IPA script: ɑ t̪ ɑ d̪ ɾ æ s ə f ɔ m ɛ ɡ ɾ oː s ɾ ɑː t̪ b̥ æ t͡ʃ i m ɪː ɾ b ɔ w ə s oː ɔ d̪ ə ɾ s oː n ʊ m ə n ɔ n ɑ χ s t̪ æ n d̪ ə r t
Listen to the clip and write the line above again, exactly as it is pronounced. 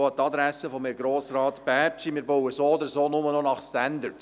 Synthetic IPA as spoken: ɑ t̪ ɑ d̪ ɾ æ s ə f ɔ m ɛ ɡ ɾ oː s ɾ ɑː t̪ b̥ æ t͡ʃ i m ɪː ɾ b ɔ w ə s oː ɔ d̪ ə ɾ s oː n ʊ m ə n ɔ n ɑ χ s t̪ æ n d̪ ə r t